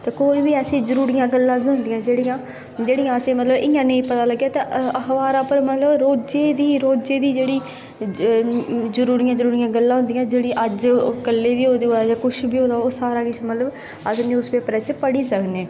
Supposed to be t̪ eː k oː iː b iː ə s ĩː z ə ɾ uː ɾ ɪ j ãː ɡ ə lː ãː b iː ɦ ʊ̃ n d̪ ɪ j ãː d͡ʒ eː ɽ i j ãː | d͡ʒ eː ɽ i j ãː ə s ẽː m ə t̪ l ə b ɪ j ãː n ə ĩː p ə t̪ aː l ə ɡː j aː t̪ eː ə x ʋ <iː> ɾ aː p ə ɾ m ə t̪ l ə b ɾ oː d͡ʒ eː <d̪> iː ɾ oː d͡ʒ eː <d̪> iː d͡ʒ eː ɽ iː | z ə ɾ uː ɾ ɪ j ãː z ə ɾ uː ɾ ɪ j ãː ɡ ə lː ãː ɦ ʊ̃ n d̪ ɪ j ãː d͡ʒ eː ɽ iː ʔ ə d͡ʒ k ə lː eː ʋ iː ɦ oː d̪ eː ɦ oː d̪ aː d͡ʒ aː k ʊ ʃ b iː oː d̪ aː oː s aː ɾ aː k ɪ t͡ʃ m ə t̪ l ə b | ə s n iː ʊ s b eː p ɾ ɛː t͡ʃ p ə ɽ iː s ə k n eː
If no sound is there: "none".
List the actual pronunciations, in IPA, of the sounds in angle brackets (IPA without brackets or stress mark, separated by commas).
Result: aː, d̪, d̪